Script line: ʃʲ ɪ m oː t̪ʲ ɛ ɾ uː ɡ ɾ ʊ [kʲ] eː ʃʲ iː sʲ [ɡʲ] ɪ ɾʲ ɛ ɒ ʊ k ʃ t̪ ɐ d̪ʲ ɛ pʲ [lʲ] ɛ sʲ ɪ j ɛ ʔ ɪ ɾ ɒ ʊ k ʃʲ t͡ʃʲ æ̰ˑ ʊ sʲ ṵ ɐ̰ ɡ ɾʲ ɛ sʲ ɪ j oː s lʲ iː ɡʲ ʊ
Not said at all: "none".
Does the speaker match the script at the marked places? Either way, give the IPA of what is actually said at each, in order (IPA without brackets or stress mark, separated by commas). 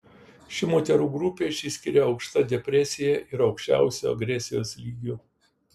pʲ, kʲ, ɾʲ